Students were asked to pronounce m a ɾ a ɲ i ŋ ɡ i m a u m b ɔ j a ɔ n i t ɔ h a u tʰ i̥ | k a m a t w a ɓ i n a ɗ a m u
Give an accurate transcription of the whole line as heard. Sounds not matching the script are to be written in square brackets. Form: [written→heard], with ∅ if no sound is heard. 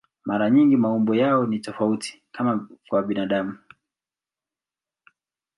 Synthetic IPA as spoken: m a ɾ a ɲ i ŋ ɡ i m a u m b ɔ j a ɔ n i t ɔ [h→f] a u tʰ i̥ | k a m a [t→k] w a ɓ i n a ɗ a m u